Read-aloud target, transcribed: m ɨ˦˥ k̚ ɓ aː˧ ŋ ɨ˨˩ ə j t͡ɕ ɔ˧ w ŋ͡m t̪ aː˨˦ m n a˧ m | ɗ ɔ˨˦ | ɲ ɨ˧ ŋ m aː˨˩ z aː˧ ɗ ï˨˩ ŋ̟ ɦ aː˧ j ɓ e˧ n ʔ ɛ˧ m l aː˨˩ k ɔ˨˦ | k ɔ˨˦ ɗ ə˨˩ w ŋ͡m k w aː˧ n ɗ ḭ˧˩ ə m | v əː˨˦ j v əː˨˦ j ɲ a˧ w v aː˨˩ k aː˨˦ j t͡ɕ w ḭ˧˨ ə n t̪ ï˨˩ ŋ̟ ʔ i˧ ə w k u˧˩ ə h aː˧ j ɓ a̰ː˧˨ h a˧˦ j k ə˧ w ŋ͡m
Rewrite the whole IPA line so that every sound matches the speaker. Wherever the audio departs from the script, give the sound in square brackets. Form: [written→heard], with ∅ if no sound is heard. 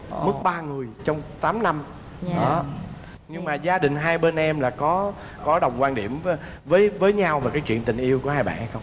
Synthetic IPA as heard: m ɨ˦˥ k̚ ɓ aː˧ ŋ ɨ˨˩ ə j t͡ɕ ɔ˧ w ŋ͡m t̪ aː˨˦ m n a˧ m | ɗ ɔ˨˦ | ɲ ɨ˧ ŋ m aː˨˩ z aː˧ ɗ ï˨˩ ŋ̟ ɦ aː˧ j ɓ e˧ n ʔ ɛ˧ m l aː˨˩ k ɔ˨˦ | k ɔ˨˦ ɗ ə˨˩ w ŋ͡m k w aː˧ n ɗ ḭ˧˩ ə m | v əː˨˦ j v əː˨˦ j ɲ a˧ w v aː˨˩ k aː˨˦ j t͡ɕ w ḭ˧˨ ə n t̪ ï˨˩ ŋ̟ ʔ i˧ ə w k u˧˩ ə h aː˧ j ɓ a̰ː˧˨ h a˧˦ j [k→x] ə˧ w ŋ͡m